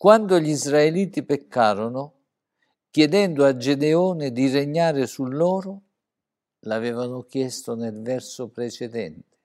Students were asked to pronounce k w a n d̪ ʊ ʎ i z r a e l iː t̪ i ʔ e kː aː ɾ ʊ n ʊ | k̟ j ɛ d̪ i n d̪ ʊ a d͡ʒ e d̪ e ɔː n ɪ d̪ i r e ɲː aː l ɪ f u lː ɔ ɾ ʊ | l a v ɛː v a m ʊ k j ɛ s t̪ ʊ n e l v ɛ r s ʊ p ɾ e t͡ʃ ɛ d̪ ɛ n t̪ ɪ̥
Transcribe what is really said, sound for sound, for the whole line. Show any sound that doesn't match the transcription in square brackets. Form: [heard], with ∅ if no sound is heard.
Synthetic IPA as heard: k w a n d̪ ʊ ʎ i z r a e l iː t̪ i [p] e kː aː ɾ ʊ n ʊ | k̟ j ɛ d̪ [ɛ] n d̪ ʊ a d͡ʒ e d̪ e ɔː n ɪ d̪ i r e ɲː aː [ɾ] ɪ [s] u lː [ɔː] ɾ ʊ | l a v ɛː v a [n] ʊ k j ɛ s t̪ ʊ n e l v ɛ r s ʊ p ɾ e t͡ʃ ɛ d̪ ɛ n t̪ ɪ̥